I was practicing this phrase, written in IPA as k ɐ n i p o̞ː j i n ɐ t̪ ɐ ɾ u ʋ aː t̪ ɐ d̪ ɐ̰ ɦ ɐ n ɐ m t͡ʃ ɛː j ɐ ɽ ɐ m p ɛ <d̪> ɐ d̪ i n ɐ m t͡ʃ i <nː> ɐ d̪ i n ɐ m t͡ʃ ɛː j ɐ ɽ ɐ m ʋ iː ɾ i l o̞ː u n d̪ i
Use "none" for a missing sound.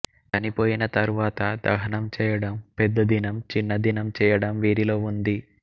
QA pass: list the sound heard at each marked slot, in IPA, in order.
d̪ː, nː

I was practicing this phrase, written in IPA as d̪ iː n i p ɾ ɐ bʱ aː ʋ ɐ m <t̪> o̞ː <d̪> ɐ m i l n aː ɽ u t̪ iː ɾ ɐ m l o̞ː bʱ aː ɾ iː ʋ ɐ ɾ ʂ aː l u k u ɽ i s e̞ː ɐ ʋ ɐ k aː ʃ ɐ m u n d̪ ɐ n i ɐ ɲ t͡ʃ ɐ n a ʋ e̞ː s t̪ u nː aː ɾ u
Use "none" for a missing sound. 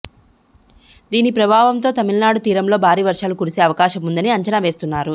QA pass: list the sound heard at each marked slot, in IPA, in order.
t̪, t̪

